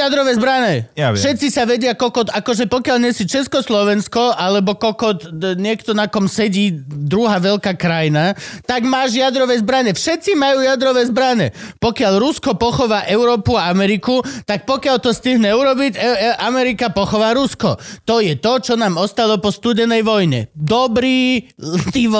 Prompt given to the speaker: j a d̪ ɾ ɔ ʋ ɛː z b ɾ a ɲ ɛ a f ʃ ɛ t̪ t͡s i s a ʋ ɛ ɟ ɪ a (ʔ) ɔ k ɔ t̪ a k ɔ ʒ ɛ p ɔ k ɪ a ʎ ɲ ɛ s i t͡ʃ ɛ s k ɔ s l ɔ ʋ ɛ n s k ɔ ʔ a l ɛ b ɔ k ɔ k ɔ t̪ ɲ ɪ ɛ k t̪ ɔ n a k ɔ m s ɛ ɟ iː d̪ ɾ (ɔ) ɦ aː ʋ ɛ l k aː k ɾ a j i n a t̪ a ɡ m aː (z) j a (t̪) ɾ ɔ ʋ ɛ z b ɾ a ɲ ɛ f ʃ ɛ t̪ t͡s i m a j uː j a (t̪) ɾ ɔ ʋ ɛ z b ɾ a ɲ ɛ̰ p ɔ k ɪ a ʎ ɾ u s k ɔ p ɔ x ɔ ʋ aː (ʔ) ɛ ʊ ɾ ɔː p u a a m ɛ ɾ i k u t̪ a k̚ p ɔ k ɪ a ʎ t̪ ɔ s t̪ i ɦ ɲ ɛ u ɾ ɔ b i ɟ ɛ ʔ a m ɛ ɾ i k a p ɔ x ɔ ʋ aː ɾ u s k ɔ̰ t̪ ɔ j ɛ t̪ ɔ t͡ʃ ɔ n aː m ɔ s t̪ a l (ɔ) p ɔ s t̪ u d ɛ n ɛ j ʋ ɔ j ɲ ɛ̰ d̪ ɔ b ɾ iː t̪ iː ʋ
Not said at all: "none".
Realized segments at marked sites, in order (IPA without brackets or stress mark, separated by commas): k, u, ʒ, d̪, d̪, ʔ, ɔ